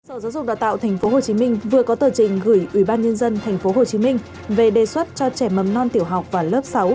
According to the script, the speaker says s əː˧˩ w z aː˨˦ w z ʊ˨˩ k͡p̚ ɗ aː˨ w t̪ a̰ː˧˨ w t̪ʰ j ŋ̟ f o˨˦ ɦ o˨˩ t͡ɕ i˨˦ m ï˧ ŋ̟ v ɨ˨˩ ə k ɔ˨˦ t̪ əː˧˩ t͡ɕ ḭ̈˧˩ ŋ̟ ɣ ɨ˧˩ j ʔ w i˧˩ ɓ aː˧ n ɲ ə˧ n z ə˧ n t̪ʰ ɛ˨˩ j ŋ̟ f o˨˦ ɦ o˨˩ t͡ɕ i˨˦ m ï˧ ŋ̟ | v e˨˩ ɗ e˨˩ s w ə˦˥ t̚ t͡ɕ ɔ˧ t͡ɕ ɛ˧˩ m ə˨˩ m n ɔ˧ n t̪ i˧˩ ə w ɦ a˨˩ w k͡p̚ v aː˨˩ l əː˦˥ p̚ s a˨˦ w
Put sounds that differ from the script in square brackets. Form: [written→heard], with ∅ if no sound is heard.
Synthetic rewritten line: s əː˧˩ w z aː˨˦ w z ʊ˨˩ k͡p̚ ɗ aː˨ w t̪ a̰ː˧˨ w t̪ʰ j ŋ̟ f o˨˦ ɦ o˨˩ t͡ɕ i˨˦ m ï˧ ŋ̟ v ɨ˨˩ ə k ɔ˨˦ t̪ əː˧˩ t͡ɕ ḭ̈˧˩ ŋ̟ ɣ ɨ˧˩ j ʔ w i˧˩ ɓ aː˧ n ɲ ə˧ n z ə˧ n t̪ʰ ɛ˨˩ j ŋ̟ f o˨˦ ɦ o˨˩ t͡ɕ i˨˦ m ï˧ ŋ̟ | v e˨˩ ɗ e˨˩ s w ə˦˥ t̚ t͡ɕ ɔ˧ t͡ɕ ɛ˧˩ m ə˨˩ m n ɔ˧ n t̪ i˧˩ ə w ɦ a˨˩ w k͡p̚ v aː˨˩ l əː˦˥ p̚ s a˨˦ w